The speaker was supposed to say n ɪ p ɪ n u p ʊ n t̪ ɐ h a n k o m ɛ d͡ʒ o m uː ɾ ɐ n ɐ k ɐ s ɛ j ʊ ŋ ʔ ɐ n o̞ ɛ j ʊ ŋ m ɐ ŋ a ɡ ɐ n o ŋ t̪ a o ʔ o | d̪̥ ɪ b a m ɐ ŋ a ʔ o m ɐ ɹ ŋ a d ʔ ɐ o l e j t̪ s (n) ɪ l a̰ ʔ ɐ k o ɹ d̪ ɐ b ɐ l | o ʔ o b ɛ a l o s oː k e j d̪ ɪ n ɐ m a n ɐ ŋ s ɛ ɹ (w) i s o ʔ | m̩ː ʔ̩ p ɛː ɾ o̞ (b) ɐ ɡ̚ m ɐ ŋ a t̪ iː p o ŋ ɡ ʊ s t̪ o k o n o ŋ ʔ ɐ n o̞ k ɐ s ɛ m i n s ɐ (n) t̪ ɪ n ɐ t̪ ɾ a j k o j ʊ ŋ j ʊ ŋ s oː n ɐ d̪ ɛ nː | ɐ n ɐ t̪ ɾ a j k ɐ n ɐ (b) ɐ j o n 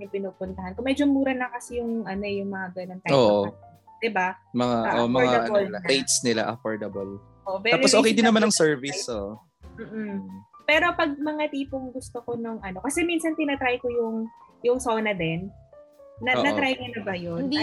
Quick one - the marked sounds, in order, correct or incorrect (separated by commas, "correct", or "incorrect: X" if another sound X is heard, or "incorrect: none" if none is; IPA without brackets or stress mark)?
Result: correct, incorrect: v, incorrect: p, correct, correct